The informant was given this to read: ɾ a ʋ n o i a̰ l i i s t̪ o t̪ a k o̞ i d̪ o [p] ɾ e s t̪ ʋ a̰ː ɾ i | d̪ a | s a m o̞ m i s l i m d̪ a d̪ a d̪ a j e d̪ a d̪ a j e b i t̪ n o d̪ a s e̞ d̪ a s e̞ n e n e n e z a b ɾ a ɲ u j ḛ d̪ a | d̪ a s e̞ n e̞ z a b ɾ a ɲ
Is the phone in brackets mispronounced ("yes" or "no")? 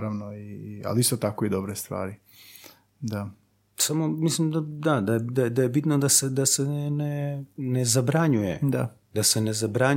yes